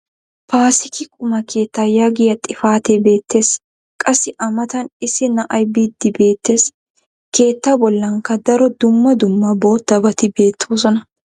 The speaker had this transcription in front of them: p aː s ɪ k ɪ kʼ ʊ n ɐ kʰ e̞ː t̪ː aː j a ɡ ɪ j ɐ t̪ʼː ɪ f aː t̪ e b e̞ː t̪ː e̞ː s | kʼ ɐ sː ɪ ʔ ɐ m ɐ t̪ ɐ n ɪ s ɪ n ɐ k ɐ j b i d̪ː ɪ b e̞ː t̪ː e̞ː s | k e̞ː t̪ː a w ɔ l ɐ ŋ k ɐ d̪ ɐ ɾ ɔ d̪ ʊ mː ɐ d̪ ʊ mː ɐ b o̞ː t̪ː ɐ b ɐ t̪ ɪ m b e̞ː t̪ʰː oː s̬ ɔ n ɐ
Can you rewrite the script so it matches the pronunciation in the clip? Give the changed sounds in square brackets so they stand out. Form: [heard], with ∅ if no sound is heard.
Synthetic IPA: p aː s ɪ k ɪ kʼ ʊ [m] ɐ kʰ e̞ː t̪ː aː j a ɡ ɪ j ɐ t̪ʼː ɪ f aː t̪ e b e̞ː t̪ː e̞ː s | kʼ ɐ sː ɪ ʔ ɐ m ɐ t̪ ɐ n ɪ s ɪ n ɐ [ʔ] ɐ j b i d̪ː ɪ b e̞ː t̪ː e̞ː s | k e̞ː t̪ː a [b] ɔ [lː] ɐ ŋ k ɐ d̪ ɐ ɾ ɔ d̪ ʊ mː ɐ d̪ ʊ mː ɐ b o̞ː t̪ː ɐ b ɐ t̪ ɪ [∅] b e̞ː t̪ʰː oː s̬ ɔ n ɐ